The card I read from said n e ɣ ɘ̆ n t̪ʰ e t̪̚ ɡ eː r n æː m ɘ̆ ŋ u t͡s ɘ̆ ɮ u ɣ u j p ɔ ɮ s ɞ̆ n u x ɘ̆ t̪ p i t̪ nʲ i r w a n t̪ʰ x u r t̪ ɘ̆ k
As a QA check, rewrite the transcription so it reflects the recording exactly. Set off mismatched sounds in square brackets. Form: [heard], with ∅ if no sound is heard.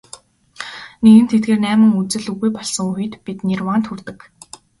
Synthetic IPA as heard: n e ɣ ɘ̆ n t̪ʰ e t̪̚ ɡ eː r n æː m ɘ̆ ŋ u t͡s ɘ̆ ɮ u ɣ u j p ɔ ɮ s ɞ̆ [ŋ] u x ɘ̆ t̪ p i t̪ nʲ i r w a n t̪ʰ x u r t̪ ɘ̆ k